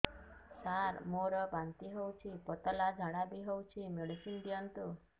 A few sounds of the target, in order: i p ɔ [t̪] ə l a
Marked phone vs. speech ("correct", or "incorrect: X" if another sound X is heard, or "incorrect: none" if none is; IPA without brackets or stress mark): correct